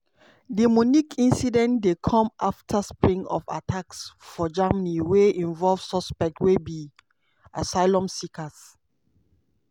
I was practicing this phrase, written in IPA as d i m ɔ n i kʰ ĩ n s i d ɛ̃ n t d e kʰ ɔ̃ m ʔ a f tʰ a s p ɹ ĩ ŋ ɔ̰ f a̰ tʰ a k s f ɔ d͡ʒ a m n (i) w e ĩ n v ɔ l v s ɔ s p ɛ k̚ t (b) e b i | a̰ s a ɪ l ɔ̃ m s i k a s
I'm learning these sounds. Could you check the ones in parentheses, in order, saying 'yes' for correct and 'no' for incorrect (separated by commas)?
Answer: yes, no